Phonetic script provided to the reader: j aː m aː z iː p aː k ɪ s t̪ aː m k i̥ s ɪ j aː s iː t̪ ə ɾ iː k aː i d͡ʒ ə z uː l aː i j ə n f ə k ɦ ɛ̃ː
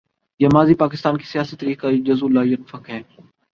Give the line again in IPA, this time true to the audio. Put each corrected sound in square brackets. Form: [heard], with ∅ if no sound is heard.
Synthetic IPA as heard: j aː m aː z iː p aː k ɪ s t̪ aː [n] k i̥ s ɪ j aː s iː t̪ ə ɾ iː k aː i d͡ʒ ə z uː l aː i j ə n f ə k ɦ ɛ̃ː